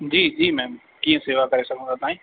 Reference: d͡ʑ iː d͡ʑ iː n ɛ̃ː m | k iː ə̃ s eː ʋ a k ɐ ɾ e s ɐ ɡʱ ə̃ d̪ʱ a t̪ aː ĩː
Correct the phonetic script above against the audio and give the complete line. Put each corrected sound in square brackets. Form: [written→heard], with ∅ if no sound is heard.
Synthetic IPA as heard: d͡ʑ iː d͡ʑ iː [n→m] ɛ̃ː m | k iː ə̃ s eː ʋ a k ɐ ɾ e s ɐ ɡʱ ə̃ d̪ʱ a t̪ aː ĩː